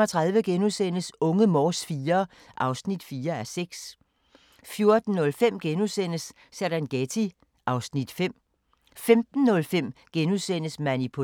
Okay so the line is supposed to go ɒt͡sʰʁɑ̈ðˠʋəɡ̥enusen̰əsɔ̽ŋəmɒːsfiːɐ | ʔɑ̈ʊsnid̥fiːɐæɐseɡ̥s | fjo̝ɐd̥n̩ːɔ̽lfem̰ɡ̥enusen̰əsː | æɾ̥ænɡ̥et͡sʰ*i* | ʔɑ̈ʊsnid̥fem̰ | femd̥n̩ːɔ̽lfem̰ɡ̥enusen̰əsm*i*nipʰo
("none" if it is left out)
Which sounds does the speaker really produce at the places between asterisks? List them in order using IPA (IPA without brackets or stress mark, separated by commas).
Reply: i, æ